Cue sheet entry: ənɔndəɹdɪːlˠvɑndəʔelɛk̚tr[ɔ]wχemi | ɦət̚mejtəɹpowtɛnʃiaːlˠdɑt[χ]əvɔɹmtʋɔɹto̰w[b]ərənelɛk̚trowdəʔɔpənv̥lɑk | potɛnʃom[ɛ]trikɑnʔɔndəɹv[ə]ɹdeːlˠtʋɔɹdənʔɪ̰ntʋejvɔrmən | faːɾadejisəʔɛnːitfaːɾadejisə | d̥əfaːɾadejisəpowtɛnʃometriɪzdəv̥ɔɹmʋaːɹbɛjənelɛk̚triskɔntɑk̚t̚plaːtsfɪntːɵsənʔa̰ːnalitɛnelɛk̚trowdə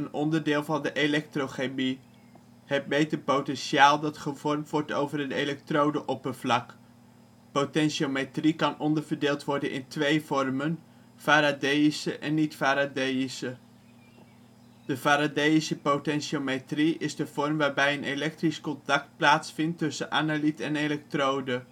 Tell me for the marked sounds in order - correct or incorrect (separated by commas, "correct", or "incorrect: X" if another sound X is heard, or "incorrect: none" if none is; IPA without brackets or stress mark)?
incorrect: o, correct, incorrect: v, incorrect: e, correct